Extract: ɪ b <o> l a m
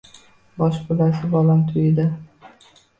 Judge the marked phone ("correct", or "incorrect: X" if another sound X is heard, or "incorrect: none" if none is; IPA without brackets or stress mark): incorrect: ɒ